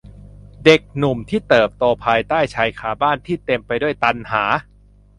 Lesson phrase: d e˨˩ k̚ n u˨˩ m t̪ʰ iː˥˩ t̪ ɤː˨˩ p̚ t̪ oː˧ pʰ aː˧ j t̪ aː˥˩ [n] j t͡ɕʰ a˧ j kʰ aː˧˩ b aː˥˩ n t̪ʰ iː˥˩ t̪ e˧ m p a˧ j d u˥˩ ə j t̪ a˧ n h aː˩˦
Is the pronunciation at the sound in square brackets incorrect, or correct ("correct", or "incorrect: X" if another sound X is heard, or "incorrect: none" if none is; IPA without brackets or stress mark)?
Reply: incorrect: none